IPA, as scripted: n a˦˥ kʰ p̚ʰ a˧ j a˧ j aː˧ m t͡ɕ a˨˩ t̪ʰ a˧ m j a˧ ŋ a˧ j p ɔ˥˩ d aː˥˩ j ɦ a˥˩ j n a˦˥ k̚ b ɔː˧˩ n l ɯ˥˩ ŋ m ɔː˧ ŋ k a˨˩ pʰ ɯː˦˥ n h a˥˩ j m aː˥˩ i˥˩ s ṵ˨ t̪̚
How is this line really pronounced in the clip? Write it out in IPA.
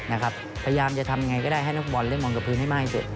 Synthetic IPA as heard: n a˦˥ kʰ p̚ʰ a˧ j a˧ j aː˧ m t͡ɕ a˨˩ t̪ʰ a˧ m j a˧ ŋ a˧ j k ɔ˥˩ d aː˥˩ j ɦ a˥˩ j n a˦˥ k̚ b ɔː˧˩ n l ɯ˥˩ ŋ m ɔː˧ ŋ k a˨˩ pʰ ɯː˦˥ n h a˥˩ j m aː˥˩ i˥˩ s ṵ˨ t̪̚